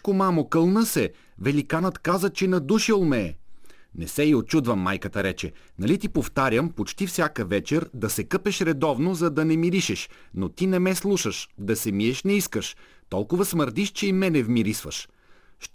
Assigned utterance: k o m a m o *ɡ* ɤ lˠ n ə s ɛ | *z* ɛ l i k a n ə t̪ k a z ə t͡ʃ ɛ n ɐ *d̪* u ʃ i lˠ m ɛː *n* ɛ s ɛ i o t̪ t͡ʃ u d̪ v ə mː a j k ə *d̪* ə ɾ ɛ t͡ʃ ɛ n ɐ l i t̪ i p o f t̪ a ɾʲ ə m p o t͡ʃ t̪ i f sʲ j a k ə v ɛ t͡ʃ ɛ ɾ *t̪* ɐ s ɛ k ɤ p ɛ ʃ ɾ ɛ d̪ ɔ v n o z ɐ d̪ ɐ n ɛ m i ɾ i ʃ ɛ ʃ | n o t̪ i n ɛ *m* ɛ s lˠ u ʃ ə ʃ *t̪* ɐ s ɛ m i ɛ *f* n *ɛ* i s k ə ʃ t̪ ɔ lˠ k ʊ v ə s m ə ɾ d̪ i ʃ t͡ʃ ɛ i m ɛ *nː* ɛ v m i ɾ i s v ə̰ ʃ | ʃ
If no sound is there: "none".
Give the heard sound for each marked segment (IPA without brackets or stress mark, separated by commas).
k, v, d̪, n, t̪, d̪, m, d̪, ʃ, ɛ, n